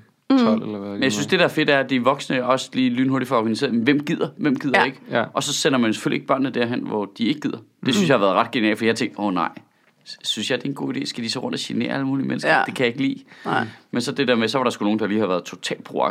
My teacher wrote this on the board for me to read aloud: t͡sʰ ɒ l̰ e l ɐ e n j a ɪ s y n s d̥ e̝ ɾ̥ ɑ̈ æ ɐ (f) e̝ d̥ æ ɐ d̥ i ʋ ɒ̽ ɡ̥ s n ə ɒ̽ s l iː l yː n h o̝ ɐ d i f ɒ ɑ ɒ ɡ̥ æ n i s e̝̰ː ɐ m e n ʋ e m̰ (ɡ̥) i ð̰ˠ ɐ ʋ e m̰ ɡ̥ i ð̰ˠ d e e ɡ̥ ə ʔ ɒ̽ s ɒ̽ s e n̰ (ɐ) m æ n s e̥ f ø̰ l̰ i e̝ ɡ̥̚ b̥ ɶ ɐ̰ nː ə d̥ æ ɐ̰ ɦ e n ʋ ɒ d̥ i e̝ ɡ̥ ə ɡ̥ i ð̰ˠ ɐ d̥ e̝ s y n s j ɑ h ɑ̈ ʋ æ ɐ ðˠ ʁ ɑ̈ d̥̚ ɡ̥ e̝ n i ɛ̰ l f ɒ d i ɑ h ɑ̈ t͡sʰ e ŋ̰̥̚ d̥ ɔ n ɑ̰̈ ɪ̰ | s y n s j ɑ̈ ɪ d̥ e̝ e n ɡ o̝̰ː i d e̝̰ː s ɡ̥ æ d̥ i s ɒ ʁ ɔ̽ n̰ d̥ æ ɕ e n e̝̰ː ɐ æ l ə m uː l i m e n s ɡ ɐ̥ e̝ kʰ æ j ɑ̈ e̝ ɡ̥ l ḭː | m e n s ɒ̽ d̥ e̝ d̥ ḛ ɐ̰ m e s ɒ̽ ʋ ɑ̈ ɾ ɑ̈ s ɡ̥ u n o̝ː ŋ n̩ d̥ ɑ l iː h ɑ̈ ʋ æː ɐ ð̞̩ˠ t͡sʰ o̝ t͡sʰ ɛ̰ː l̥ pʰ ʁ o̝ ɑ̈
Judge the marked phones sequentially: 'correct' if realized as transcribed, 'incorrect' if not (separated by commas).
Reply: correct, correct, correct